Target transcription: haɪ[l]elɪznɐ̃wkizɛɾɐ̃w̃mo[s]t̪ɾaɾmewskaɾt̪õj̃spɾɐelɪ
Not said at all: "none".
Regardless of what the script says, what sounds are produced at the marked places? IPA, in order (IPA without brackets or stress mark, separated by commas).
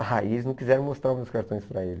none, s